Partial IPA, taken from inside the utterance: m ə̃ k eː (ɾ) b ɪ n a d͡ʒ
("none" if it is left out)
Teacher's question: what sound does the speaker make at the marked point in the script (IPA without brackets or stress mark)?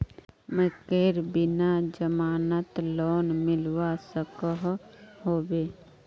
ɾ